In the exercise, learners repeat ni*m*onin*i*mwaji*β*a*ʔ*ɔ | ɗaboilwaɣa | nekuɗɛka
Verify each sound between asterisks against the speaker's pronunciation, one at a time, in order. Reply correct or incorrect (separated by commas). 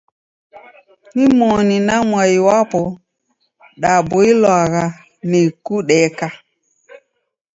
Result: correct, incorrect, incorrect, incorrect